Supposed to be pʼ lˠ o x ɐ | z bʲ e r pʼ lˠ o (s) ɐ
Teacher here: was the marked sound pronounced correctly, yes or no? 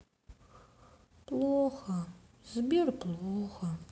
no